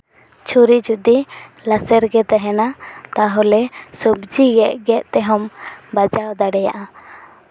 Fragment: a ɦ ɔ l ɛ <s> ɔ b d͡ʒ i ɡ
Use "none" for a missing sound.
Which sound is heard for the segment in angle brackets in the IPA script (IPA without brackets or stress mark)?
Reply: s